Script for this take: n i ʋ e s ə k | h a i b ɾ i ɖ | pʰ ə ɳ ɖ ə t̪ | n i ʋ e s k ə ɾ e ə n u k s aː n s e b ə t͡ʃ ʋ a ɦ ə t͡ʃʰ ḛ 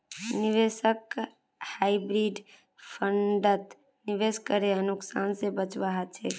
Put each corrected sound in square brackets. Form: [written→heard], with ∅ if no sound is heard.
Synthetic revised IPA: n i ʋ e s ə k | h a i b ɾ i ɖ | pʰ ə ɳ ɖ ə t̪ | n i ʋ e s k ə ɾ e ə n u k s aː n s e b ə t͡ʃ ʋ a ɦ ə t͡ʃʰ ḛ

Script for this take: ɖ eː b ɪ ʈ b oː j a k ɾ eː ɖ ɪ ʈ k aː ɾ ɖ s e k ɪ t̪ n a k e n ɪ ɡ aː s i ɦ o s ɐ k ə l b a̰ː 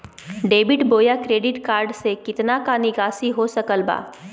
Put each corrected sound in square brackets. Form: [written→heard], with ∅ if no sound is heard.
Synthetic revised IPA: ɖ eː b ɪ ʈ b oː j a k ɾ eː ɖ ɪ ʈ k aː ɾ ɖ s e k ɪ t̪ n a k [e→a] n ɪ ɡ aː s i ɦ o s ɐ k ə l b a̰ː

